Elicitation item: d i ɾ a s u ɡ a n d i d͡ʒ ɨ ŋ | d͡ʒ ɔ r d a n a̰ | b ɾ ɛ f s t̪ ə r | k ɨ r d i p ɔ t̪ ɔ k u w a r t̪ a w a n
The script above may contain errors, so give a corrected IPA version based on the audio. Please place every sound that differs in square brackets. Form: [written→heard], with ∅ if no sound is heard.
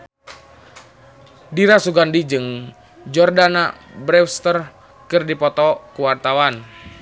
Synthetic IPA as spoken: d i ɾ a s u ɡ a n d i d͡ʒ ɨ ŋ | d͡ʒ ɔ r d a n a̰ | b ɾ ɛ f s t̪ ə r | k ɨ r d i p ɔ t̪ ɔ k u w a r t̪ a w a n